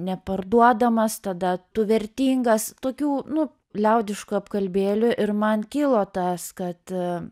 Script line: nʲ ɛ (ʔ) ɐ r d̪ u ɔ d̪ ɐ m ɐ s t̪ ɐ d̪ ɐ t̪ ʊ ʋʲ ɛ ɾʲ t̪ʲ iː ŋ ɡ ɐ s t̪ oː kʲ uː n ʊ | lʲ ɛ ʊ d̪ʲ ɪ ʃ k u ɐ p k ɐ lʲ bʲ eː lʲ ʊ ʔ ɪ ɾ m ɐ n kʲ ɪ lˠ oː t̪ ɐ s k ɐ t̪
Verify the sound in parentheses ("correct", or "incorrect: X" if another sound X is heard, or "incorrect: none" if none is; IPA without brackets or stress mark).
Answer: incorrect: p